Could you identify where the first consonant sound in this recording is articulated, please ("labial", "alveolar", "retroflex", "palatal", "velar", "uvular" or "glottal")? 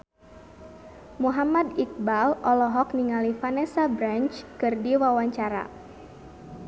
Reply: labial